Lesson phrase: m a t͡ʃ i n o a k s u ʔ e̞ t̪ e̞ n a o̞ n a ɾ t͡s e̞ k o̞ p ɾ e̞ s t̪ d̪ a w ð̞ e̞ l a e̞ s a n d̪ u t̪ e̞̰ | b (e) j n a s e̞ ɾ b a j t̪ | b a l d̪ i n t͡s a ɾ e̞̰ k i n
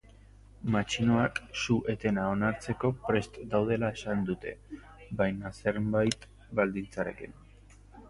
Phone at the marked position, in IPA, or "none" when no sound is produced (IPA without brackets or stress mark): a